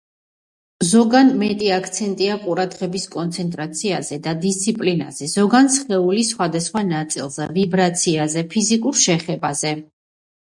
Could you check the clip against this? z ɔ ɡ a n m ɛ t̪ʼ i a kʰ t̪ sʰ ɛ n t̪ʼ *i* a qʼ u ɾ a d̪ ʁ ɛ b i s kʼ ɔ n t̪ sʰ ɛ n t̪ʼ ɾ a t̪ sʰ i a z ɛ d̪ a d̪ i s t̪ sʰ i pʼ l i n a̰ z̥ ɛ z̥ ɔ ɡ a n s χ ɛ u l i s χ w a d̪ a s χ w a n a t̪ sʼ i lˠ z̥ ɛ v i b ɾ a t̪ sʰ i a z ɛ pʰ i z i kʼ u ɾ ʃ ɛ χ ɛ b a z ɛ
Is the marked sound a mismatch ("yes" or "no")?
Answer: no